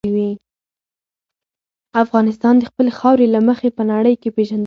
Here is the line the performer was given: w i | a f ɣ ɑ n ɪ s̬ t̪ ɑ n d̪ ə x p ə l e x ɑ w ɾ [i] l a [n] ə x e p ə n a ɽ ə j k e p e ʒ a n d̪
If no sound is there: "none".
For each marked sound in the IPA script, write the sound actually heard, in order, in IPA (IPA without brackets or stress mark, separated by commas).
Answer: e, m